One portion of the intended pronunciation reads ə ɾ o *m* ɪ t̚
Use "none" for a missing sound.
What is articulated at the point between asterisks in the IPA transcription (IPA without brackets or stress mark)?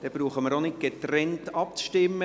n